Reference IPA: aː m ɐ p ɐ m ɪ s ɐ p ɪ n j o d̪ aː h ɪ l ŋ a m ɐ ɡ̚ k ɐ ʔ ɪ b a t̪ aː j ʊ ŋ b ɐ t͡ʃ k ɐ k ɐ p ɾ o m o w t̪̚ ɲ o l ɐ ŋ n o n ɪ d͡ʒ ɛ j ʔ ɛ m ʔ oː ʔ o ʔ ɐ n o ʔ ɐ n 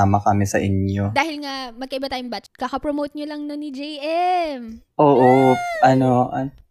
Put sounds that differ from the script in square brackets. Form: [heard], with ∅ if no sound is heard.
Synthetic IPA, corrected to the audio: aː m ɐ [k] ɐ m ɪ s ɐ [ʔ] ɪ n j o d̪ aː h ɪ l ŋ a m ɐ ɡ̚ k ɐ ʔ ɪ b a t̪ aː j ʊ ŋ b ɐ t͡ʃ k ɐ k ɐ p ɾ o m o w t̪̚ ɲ o l ɐ ŋ n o n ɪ d͡ʒ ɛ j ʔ ɛ m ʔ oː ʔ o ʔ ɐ n o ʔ ɐ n